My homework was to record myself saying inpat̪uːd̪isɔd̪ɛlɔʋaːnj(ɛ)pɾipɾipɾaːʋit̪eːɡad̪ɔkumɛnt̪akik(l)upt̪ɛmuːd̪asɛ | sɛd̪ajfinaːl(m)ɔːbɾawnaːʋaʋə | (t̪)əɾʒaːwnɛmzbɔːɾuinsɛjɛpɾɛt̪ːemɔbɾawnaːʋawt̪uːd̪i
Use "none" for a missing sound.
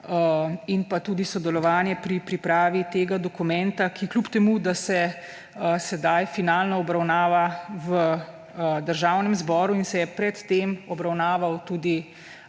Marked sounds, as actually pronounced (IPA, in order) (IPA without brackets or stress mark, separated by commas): ɛ, l, n, d̪